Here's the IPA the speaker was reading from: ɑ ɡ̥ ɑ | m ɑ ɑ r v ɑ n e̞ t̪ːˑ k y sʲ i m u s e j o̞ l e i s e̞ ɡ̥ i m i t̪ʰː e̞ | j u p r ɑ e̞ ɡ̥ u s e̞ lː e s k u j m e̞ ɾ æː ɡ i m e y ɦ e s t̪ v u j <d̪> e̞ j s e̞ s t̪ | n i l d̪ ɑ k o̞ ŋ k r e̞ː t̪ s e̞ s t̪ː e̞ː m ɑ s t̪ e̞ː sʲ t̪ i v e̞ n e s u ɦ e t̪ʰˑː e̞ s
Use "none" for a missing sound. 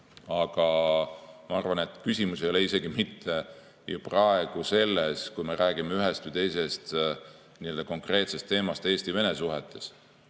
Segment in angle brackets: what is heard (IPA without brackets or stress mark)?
t̪